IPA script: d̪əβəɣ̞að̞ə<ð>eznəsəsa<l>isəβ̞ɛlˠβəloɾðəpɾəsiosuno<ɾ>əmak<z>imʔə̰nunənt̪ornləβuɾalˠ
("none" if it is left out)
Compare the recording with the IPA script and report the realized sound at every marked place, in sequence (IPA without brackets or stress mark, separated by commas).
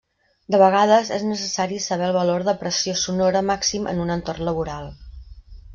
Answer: z, ɾ, ɾ, s